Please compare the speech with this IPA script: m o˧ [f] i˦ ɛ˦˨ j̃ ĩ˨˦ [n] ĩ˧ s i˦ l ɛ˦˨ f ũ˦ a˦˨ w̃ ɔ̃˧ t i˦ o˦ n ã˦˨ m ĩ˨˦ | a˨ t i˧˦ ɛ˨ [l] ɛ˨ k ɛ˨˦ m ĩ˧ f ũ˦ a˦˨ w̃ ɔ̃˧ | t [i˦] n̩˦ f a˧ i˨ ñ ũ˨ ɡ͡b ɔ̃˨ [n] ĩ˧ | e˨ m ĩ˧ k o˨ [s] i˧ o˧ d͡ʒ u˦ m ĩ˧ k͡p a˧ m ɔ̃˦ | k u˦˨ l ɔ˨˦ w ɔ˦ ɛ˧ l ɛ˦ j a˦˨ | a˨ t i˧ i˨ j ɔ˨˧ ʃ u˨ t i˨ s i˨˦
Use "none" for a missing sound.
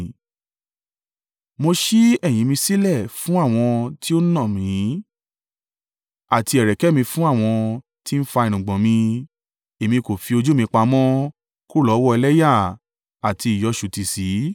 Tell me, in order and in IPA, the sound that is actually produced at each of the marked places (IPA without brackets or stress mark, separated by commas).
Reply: ʃ, m, ɾ, i˦, m, f